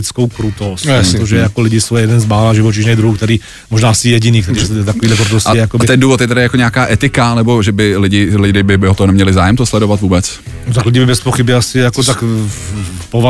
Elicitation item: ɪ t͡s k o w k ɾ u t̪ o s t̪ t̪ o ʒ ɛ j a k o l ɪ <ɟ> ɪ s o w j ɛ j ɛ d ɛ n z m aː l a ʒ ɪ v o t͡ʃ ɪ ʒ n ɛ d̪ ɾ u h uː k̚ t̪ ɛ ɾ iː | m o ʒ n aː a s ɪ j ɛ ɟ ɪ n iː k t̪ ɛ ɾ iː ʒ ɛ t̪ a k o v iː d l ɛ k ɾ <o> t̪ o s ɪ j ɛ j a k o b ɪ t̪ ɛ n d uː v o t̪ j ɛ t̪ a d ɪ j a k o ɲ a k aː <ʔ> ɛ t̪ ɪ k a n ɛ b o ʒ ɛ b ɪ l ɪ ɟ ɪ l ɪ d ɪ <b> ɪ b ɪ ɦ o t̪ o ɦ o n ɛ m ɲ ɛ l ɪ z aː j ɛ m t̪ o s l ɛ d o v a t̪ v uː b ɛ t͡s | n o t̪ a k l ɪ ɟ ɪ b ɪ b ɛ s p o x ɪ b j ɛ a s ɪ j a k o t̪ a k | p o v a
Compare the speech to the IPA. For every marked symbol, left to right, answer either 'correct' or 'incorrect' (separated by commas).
correct, incorrect, correct, correct